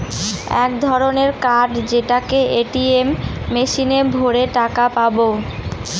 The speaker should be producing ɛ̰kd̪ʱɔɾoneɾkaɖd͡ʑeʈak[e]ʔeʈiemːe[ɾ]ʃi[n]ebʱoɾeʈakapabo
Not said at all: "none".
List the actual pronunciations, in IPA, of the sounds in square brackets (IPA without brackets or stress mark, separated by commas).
e, none, n